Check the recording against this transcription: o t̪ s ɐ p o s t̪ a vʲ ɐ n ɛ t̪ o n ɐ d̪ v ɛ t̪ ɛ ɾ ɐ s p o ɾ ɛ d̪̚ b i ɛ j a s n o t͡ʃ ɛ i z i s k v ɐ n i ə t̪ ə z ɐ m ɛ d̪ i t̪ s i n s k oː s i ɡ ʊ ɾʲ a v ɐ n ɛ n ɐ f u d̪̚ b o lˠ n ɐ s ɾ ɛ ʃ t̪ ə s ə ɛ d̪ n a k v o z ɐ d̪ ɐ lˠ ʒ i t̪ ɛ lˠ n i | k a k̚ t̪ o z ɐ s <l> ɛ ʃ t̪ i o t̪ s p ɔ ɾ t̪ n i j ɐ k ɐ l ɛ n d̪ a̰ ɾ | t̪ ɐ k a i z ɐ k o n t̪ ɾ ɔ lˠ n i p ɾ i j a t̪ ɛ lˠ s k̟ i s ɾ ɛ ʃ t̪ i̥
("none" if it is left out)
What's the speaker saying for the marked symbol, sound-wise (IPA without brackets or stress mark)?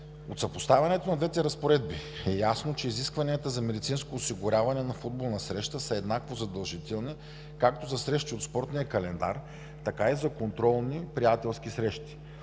ɾ